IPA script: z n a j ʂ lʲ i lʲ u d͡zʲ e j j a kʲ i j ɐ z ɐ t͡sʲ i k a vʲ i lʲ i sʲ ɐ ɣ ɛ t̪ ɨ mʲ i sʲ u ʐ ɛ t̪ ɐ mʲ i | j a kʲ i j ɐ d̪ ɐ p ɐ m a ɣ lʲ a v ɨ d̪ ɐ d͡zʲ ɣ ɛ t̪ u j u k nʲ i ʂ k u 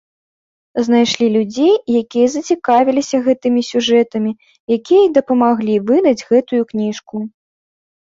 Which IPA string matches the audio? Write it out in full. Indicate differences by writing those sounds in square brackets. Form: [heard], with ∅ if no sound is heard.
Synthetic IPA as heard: z n a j ʂ lʲ i lʲ u d͡zʲ e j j a kʲ i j ɐ z ɐ t͡sʲ i k a vʲ i lʲ i sʲ ɐ ɣ ɛ t̪ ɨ mʲ i sʲ u ʐ ɛ t̪ ɐ mʲ i | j a kʲ i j ɐ d̪ ɐ p ɐ m a ɣ lʲ [i] v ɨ d̪ ɐ d͡zʲ ɣ ɛ t̪ u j u k nʲ i ʂ k u